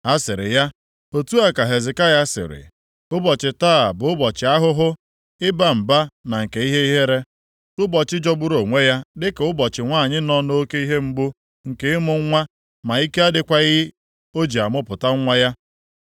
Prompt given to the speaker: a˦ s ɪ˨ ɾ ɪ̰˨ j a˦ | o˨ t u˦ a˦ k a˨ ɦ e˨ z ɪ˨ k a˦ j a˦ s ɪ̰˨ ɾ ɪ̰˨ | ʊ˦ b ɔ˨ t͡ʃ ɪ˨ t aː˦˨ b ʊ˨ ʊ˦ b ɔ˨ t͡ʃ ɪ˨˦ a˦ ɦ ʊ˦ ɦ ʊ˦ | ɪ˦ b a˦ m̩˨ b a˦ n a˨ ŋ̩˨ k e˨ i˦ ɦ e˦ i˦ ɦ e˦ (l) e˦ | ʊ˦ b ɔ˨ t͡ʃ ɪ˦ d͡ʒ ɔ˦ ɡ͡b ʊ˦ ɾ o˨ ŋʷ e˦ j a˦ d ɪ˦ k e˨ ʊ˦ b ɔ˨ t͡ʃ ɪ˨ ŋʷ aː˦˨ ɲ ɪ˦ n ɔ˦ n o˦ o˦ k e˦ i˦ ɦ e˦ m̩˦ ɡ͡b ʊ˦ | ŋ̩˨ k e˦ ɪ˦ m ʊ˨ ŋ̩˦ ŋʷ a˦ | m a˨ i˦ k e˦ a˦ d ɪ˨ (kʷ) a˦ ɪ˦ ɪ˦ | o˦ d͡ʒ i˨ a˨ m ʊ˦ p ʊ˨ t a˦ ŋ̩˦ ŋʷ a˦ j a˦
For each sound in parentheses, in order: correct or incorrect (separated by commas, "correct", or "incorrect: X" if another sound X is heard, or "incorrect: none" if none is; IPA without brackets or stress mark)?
incorrect: ɾ, correct